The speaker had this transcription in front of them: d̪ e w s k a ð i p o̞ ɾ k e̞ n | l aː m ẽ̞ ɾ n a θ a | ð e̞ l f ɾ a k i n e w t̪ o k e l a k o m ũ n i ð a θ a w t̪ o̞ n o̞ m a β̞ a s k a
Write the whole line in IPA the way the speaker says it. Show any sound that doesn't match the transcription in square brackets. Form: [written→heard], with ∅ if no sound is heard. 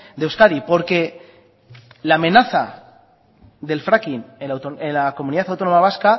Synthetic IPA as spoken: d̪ e w s k a ð i p o̞ ɾ k e̞ [n→∅] | l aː m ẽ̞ [ɾ→∅] n a θ a | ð e̞ l f ɾ a k i n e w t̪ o [k→∅] e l a k o m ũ n i ð a θ a w t̪ o̞ n o̞ m a β̞ a s k a